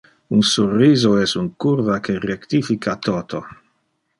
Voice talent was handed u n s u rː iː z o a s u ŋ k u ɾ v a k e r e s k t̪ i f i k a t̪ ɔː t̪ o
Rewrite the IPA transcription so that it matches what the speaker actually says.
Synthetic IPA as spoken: u n s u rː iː z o ɛ s u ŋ k u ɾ v a k e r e k t̪ i f i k a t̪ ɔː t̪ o